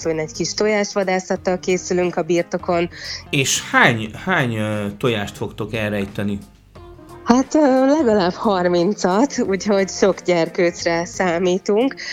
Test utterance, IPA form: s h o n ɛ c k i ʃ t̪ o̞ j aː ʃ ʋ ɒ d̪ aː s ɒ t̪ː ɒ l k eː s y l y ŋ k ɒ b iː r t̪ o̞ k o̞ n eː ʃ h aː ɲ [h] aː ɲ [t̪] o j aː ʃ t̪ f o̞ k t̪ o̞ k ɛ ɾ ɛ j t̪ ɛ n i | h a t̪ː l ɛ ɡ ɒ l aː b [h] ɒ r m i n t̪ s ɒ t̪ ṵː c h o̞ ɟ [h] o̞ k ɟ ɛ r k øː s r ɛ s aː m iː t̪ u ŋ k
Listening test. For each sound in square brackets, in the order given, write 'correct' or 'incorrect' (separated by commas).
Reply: correct, correct, correct, incorrect